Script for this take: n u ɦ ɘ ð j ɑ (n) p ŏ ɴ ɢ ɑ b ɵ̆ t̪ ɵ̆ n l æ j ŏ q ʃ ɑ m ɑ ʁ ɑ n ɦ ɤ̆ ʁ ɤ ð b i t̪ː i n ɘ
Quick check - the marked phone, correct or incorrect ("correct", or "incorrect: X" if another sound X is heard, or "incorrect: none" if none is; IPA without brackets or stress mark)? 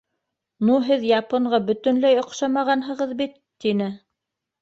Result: incorrect: none